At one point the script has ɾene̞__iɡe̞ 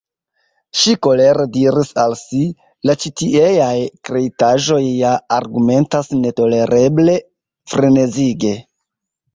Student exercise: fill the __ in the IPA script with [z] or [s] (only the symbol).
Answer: z